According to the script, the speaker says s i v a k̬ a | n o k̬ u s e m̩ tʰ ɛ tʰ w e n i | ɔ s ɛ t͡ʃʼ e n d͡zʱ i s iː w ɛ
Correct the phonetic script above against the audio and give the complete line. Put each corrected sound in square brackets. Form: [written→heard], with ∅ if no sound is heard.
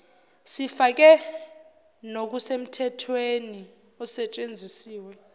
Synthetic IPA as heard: s i [v→f] a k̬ [a→ɛ] | n o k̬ u s e m̩ tʰ ɛ tʰ w e n i | ɔ s ɛ t͡ʃʼ e n d͡zʱ i s iː w ɛ